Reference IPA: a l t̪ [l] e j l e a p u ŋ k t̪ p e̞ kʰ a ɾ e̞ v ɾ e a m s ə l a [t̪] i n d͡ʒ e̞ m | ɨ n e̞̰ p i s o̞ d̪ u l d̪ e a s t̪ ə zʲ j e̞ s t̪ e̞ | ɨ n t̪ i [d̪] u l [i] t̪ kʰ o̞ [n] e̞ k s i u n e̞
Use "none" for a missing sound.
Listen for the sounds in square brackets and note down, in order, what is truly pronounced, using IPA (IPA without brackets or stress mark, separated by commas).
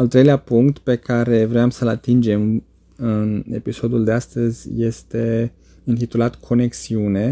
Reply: ɾ, t̪, t̪, a, n